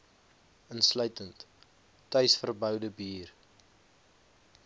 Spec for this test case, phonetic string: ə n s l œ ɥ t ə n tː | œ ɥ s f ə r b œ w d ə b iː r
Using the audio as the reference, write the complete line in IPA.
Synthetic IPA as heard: ə n s l œ ɥ t ə n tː | œ ɥ s f ə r b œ w d ə b iː r